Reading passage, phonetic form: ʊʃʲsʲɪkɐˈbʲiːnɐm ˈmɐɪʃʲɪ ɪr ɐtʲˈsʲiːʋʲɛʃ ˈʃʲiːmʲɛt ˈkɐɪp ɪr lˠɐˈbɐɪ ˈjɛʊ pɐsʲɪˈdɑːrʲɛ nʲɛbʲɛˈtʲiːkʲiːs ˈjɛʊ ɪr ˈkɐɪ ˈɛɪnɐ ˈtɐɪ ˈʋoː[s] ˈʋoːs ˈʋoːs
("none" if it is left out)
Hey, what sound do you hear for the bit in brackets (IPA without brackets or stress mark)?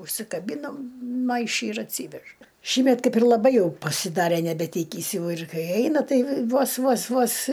s